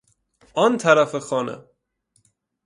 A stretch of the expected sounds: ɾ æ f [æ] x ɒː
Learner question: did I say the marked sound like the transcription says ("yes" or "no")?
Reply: no